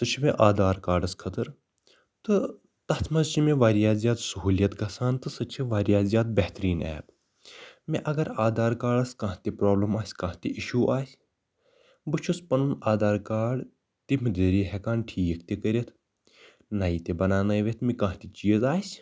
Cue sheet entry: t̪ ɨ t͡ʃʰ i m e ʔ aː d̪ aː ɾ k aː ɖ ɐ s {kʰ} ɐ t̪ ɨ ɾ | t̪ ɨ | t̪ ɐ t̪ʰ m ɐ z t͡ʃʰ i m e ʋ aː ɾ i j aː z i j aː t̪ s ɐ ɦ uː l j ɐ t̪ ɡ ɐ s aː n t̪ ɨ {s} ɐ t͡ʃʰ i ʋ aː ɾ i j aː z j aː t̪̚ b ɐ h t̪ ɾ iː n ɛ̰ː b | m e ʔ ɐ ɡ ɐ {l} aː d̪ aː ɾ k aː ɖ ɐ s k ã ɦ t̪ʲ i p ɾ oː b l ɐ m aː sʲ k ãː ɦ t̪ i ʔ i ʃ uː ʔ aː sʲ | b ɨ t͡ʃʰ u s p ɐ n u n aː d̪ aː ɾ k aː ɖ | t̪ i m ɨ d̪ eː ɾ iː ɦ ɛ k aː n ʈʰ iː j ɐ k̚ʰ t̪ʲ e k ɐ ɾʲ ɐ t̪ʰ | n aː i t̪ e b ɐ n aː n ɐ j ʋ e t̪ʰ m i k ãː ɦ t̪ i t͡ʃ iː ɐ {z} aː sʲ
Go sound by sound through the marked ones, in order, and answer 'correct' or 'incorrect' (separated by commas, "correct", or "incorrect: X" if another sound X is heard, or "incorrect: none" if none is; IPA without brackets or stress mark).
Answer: correct, correct, incorrect: ɾ, correct